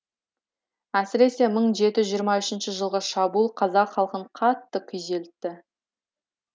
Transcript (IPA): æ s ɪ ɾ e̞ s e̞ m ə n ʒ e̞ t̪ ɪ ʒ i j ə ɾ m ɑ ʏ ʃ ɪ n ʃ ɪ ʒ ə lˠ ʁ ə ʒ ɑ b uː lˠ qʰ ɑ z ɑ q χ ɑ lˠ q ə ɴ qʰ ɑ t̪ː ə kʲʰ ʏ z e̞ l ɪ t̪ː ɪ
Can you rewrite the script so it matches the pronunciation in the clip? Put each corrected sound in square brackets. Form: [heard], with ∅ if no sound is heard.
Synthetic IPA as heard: æ s ɪ ɾ e̞ s e̞ m ə [ɴ] ʒ e̞ t̪ ɪ ʒ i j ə ɾ m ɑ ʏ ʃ ɪ n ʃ ɪ ʒ ə lˠ ʁ ə [ʃ] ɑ b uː lˠ qʰ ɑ z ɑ q χ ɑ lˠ q ə ɴ qʰ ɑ t̪ː ə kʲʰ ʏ z e̞ l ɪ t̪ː ɪ